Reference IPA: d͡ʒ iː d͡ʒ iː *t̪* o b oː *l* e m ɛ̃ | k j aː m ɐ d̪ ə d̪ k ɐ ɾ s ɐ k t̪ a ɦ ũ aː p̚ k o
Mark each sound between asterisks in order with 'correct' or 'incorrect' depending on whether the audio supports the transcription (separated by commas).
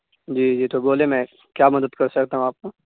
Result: correct, correct